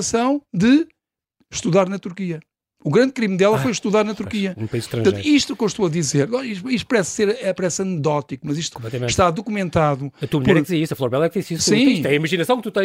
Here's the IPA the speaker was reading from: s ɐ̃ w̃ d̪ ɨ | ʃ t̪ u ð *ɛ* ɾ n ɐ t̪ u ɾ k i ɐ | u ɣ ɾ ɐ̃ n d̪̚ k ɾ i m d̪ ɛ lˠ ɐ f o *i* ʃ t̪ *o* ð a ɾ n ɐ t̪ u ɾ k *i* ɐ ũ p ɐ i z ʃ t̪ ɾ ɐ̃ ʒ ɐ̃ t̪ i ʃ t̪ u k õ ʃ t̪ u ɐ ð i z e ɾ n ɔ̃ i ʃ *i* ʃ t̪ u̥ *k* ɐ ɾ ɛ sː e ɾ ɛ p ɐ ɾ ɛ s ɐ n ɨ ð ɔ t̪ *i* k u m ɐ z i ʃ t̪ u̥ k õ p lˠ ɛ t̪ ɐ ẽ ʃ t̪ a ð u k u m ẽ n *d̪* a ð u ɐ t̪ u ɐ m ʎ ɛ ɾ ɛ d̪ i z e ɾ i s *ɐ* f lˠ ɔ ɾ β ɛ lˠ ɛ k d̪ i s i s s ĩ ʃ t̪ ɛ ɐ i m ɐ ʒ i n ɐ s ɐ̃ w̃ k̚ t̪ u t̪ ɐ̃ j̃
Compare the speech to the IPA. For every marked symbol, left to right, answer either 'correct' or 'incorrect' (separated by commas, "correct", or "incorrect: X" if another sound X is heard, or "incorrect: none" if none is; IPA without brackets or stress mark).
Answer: incorrect: a, incorrect: j, incorrect: u, correct, correct, incorrect: p, correct, incorrect: t̪, correct